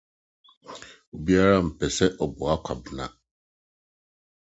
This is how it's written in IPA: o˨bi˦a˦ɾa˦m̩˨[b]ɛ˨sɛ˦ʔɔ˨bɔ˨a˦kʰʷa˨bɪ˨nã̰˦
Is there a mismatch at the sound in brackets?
yes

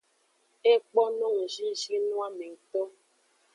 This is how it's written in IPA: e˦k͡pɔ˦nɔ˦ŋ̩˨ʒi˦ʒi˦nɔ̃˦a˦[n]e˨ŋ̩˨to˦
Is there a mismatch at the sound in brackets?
yes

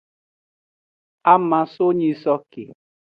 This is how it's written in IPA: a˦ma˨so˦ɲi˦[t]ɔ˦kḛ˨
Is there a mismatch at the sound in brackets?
yes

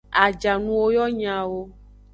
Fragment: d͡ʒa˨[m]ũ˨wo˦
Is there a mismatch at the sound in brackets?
yes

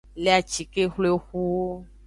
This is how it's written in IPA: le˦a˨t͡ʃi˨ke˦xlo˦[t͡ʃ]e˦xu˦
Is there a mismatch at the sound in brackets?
yes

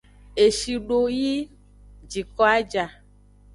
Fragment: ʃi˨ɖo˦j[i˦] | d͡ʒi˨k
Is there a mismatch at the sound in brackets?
no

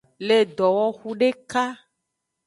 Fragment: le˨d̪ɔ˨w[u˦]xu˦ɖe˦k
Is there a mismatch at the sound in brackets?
yes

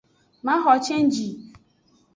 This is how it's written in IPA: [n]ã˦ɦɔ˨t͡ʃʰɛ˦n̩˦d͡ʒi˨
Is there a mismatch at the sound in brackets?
yes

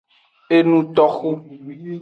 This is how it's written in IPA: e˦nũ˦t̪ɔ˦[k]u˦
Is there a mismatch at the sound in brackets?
yes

